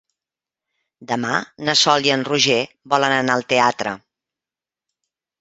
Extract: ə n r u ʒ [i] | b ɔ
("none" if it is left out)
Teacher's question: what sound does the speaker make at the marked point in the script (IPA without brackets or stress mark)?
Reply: e